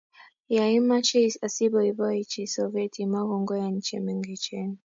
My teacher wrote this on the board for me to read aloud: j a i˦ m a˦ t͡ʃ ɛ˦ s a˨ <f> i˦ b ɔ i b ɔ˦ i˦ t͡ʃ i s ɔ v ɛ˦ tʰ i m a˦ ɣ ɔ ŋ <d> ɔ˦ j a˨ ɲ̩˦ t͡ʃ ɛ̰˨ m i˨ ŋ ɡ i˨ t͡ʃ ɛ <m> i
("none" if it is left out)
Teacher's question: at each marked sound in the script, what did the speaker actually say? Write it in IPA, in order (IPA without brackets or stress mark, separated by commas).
s, ɡ, n